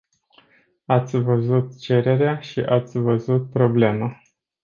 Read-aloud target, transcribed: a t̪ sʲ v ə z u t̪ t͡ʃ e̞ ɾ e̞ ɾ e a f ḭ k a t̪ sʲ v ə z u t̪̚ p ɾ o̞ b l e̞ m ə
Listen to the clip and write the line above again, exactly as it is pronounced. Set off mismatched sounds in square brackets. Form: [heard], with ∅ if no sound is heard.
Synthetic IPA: a t̪ sʲ v ə z u t̪ t͡ʃ e̞ ɾ e̞ ɾ e a [ʃ] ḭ [ʔ] a t̪ sʲ v ə z u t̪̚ p ɾ o̞ b l e̞ m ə